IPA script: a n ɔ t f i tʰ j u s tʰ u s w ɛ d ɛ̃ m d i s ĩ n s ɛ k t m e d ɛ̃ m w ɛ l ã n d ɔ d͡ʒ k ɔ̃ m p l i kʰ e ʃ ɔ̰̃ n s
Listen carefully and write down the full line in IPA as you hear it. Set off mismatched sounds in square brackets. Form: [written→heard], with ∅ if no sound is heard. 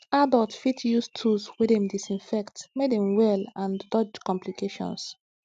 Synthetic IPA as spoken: a [n→d] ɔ t f i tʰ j u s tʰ u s w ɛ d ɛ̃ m d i s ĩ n [s→f] ɛ k t m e d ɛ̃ m w ɛ l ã n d ɔ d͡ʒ k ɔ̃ m p l i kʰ e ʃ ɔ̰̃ n s